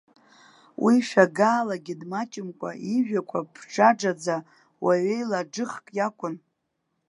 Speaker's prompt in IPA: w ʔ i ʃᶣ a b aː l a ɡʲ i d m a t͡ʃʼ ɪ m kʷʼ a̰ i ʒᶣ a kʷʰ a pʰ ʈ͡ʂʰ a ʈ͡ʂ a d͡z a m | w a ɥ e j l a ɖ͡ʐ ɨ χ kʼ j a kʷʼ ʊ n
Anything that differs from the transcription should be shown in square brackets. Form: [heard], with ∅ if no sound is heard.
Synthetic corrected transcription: w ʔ i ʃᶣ a [ɡ] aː l a ɡʲ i d m a t͡ʃʼ ɪ m kʷʼ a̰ i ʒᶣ a kʷʰ a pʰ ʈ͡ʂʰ a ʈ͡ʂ a d͡z a [∅] | w a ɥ e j l a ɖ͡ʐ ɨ χ kʼ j a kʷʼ ʊ n